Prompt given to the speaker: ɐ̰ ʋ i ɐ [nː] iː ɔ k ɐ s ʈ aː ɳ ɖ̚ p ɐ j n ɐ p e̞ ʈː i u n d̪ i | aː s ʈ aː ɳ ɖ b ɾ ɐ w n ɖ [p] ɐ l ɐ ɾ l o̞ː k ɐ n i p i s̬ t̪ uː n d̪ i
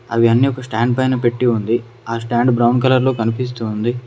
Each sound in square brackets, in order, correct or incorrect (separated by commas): correct, incorrect